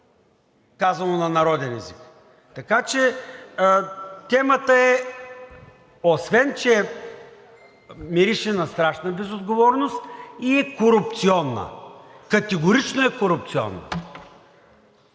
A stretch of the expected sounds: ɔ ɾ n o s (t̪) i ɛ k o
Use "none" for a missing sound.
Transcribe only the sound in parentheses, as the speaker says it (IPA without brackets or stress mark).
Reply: t̪